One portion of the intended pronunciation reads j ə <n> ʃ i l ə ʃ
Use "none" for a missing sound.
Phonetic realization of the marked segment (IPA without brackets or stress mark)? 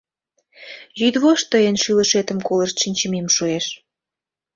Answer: n